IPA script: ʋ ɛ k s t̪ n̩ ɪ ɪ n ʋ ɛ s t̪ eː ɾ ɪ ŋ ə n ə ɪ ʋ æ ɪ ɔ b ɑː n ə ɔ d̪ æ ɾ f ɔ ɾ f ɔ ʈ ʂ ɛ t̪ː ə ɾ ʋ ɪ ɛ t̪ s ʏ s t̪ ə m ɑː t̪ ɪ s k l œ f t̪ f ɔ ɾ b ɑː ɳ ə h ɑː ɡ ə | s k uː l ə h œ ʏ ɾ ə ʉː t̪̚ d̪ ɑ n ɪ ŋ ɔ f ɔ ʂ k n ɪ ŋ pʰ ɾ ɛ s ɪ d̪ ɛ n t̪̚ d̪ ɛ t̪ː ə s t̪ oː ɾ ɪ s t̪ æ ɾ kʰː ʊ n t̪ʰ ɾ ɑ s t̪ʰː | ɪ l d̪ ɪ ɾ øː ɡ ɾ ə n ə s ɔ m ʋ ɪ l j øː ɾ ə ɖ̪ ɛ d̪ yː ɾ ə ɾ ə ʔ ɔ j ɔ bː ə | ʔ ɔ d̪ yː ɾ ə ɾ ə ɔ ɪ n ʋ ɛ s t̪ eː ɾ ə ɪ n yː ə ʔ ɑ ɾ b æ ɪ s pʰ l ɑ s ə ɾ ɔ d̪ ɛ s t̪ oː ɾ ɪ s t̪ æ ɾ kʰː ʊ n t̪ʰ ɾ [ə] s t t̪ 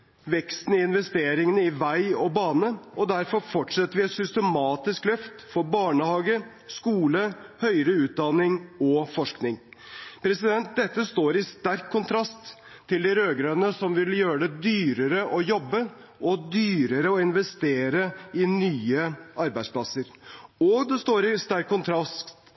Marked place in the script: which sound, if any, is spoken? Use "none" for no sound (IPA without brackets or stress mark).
ɑ